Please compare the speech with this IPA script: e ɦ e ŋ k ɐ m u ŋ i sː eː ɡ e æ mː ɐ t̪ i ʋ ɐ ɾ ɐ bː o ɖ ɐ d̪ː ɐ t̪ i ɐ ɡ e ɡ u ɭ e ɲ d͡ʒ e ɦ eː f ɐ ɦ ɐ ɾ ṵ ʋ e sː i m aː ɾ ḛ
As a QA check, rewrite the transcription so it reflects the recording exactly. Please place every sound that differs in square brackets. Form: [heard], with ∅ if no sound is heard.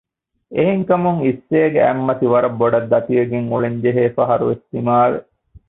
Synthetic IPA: e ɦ e ŋ k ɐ m u ŋ i sː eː ɡ e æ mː ɐ t̪ i ʋ ɐ ɾ ɐ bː o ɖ ɐ d̪ː ɐ t̪ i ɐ ɡ e [ŋ] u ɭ e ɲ d͡ʒ e ɦ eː f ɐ ɦ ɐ ɾ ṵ ʋ e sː i m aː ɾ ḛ